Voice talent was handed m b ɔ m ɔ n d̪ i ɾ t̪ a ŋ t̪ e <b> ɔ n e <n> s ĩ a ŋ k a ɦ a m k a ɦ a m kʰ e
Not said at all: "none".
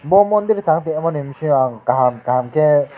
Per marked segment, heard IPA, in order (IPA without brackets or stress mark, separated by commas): m, m